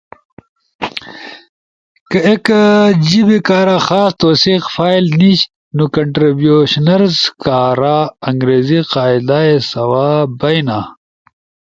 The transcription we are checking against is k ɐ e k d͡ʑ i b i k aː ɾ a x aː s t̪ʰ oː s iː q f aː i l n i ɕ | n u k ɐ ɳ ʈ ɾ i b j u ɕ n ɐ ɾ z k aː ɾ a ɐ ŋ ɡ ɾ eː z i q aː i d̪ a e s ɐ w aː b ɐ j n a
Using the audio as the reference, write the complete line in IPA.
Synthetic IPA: k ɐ e k d͡ʑ i b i k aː ɾ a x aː s t̪ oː s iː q f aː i l n i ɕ | n u k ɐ ɳ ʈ ɾ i b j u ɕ n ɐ ɾ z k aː ɾ a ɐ ŋ ɡ ɾ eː z i q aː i d̪ a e s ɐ w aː b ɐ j n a